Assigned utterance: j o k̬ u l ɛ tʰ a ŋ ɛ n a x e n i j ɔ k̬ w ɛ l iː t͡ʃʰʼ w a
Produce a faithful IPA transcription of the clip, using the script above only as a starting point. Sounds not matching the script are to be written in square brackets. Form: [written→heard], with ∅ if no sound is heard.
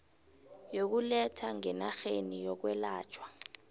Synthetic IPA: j o k̬ u l ɛ tʰ a ŋ ɛ n a x e n i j ɔ k̬ w ɛ l [iː→aː] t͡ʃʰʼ w a